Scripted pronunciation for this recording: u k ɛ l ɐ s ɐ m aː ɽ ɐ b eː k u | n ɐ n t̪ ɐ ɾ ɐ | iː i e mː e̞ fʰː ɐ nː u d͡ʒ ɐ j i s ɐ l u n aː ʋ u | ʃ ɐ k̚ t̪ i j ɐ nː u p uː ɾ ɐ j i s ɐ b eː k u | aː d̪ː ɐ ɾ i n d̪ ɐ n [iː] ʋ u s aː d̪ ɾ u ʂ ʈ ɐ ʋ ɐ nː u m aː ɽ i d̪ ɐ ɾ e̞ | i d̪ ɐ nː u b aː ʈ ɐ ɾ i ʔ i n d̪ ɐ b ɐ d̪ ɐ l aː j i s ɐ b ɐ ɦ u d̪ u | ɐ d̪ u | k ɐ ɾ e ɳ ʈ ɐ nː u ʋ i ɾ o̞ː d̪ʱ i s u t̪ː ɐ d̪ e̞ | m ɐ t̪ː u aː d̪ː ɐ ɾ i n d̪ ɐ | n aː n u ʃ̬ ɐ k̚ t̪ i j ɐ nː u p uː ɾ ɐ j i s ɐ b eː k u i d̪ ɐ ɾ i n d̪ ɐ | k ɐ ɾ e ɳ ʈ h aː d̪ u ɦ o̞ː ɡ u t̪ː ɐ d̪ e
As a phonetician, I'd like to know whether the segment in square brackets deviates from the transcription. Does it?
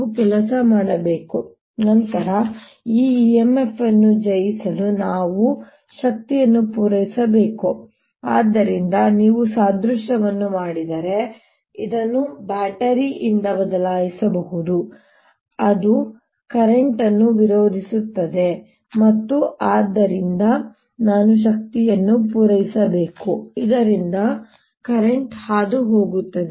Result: no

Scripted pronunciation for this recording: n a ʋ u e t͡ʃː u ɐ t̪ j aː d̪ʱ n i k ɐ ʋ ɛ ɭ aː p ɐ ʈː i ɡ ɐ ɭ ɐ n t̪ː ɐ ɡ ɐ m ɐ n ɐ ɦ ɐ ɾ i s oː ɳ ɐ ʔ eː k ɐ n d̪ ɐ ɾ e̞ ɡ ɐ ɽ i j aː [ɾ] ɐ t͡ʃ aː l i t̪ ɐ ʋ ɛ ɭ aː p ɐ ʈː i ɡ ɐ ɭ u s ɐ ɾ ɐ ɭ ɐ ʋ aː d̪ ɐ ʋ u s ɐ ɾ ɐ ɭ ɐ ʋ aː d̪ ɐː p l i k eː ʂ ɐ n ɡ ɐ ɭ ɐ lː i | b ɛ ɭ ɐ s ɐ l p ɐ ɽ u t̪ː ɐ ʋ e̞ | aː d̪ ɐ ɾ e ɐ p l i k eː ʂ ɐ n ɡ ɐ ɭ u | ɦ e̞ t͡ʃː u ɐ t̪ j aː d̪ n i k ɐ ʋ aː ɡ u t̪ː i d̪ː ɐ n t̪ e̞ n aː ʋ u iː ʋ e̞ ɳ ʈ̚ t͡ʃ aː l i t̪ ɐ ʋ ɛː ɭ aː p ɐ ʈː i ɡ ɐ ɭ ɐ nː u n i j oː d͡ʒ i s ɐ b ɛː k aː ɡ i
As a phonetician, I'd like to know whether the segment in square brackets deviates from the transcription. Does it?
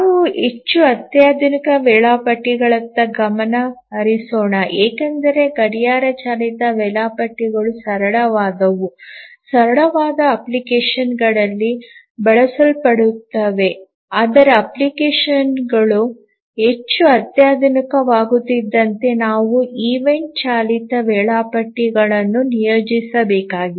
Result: no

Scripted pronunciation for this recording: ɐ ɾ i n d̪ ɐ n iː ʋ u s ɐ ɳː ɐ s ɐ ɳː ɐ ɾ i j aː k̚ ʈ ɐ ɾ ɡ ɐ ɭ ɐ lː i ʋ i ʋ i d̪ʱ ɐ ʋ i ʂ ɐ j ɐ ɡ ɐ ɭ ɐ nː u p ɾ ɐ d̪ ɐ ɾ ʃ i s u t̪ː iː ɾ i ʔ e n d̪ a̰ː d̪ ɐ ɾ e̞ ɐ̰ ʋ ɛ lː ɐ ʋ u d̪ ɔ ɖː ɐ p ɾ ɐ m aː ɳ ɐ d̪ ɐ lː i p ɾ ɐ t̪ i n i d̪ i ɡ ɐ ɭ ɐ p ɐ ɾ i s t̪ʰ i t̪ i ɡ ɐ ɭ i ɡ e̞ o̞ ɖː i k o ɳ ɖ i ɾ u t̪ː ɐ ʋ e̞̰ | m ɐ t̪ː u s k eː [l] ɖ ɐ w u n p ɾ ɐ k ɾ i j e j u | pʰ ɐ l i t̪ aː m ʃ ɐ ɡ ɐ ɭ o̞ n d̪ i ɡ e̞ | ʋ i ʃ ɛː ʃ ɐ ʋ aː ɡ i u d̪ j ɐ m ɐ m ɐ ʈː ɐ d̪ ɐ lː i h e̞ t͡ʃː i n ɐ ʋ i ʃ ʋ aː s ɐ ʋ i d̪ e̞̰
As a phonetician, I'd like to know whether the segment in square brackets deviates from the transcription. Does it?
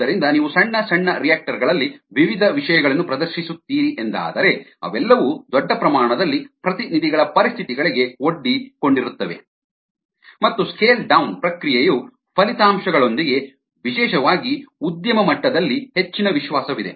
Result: no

